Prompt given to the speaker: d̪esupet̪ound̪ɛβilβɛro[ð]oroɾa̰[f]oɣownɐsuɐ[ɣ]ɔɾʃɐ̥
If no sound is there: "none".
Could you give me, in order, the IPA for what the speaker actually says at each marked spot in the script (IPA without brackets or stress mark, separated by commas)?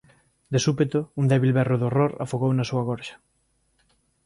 ð, f, ɣ